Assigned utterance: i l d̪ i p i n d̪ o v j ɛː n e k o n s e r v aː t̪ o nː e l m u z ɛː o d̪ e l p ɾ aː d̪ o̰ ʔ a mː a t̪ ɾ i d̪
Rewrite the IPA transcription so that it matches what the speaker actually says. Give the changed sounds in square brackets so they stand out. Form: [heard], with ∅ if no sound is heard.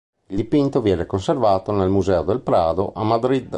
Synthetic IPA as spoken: i l d̪ i p i n [t̪] o v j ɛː n e k o n s e r v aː t̪ o [n] e l m u z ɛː o d̪ e l p ɾ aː d̪ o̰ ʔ a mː a [d̪] ɾ i d̪